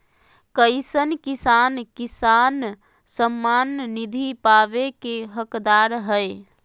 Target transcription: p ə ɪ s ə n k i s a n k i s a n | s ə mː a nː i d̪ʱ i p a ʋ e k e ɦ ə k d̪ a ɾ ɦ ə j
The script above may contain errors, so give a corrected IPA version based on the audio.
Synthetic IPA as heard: k ə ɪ s ə n k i s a n k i s a n | s ə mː a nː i d̪ʱ i p a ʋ e k e ɦ ə k d̪ a ɾ ɦ ə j